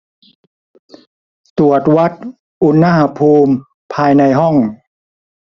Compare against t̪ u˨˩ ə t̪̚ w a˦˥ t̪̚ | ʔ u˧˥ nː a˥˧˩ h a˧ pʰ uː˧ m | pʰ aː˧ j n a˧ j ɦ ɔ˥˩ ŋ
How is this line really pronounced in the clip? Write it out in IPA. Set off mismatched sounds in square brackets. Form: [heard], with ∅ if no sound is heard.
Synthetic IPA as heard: t̪ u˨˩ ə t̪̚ w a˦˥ t̪̚ | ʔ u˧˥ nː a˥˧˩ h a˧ pʰ uː˧ m | pʰ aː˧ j n a˧ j ɦ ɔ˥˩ ŋ

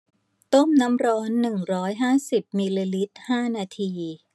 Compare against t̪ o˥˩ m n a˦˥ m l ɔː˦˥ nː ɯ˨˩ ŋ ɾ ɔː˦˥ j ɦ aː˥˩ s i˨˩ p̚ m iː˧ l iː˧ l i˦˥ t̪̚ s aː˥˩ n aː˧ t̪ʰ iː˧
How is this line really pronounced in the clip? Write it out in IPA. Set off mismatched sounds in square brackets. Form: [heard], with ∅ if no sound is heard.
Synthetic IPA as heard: t̪ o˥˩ m n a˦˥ m [ɾ] ɔː˦˥ nː ɯ˨˩ ŋ ɾ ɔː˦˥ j ɦ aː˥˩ s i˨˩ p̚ m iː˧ l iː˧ l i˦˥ t̪̚ [h] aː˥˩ n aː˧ t̪ʰ iː˧

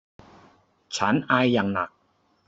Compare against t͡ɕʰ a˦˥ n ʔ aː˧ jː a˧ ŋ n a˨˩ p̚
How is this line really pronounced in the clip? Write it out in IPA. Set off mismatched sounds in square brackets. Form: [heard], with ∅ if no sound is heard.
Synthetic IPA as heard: t͡ɕʰ a˦˥ n ʔ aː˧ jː [a˨˩] ŋ n a˨˩ [k̚]

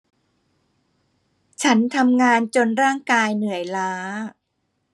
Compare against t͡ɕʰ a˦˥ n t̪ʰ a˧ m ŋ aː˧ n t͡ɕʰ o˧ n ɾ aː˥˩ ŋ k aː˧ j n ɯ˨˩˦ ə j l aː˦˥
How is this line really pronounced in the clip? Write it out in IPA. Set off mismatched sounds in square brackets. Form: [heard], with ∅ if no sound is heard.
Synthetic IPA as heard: t͡ɕʰ a˦˥ n t̪ʰ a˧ m ŋ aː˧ n [t͡ɕ] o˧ n ɾ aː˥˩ ŋ k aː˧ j n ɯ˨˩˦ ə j l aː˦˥

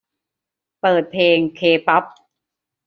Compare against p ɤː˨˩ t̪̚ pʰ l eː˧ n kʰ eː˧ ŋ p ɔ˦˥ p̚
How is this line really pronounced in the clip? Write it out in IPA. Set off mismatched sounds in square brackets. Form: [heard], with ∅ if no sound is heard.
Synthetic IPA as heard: p ɤː˨˩ t̪̚ pʰ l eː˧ [ŋ] kʰ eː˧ [∅] p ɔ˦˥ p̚

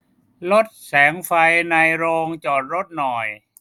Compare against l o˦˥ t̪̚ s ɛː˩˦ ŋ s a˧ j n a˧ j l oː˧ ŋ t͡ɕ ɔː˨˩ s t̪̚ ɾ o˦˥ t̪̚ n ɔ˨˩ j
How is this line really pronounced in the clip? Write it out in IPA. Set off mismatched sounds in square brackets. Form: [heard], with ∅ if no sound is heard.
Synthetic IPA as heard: l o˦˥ t̪̚ s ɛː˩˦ ŋ [f] a˧ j n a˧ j [ɾ] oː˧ ŋ t͡ɕ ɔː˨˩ [∅] t̪̚ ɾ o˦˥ t̪̚ n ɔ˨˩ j

